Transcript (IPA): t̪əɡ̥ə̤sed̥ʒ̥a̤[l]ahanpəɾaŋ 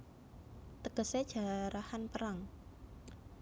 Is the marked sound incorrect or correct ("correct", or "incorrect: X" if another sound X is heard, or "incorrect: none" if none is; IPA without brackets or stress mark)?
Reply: incorrect: ɾ